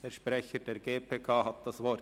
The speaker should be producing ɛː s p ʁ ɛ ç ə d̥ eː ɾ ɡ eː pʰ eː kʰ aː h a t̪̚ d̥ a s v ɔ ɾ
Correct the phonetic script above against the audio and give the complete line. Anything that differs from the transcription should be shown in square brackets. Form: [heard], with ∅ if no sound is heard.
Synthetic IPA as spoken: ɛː [ʃ] p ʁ ɛ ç ə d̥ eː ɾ ɡ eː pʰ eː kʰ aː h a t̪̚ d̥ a s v ɔ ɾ